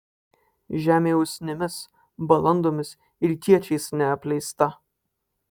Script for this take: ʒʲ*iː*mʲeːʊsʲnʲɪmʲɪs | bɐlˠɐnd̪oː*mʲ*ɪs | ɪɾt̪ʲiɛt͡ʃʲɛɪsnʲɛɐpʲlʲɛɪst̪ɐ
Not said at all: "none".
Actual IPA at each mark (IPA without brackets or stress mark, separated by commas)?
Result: æː, mʲ